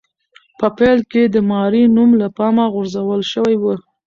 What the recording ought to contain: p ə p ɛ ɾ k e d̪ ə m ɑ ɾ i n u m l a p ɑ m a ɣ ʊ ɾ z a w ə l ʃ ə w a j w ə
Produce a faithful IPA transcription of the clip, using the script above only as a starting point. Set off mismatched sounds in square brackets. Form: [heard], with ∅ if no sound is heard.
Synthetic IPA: p ə p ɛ [l] k e d̪ ə m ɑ ɾ i n u m l a p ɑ m a ɣ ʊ ɾ z a w ə l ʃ ə w a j w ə

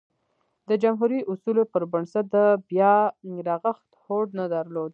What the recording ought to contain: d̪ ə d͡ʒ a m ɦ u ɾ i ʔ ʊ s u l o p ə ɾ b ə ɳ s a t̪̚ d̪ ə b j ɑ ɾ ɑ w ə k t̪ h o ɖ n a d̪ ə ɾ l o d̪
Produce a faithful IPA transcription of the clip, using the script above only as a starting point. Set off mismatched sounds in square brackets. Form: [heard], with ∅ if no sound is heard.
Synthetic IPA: d̪ ə d͡ʒ a m ɦ u ɾ i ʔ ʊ s u l o p ə ɾ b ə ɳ s a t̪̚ d̪ ə b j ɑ ɾ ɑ [ɣ] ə [x] t̪ h o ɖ n a d̪ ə ɾ l o d̪

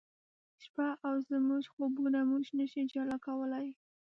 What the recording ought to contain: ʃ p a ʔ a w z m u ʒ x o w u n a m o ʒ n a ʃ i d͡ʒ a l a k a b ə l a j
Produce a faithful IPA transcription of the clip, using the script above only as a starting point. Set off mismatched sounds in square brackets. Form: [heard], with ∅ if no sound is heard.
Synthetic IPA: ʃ p a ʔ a w z m u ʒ x o [b] u n a m [u] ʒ n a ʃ i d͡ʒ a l a k a [w] ə l a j

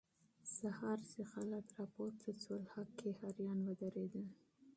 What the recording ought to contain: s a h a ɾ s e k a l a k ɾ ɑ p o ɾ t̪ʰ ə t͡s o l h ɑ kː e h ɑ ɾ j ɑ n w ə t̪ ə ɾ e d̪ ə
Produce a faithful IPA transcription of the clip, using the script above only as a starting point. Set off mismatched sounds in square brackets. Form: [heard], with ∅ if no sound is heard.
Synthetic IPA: s a h [ɑ] ɾ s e [x] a l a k ɾ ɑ p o ɾ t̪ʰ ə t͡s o l h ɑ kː e h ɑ ɾ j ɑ n w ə [d̪] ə ɾ e d̪ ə

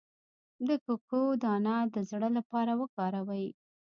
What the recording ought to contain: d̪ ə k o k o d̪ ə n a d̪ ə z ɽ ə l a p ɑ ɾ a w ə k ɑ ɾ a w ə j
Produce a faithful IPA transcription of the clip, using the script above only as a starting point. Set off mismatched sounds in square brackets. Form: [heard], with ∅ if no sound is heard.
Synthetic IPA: d̪ ə k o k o d̪ [ɑ] n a d̪ ə z ɽ ə l a p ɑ ɾ a w ə k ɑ ɾ a w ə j

